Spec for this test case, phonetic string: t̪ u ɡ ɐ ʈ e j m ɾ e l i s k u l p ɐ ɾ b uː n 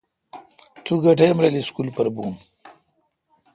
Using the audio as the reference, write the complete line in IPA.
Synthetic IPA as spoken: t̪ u ɡ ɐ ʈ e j m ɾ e l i s k u l p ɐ ɾ b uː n